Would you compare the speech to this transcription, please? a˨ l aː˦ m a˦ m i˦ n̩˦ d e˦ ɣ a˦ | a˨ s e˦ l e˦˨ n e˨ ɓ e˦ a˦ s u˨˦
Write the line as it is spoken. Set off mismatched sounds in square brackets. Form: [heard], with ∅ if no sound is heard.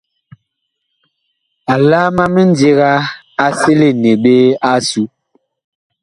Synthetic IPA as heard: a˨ l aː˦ m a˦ m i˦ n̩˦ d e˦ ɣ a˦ | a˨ s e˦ l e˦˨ n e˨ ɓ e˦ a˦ s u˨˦